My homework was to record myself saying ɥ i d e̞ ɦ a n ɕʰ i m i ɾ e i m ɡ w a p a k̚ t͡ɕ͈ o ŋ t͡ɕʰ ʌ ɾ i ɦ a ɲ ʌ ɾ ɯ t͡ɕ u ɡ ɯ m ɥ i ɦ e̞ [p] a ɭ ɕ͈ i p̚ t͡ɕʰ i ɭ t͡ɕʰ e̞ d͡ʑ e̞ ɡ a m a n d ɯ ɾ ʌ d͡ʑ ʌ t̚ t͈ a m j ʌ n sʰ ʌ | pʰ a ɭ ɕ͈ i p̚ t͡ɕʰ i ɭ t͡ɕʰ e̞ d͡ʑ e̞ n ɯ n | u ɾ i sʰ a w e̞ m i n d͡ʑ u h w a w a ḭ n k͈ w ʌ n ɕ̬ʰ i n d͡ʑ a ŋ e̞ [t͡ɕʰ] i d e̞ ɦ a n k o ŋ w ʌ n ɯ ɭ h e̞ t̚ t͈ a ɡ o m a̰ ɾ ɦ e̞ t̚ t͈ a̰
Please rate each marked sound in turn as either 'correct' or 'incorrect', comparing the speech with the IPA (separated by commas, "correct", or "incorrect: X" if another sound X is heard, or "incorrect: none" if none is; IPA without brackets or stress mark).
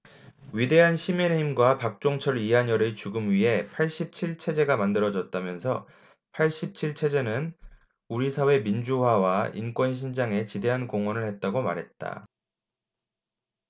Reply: incorrect: pʰ, incorrect: t͡ɕ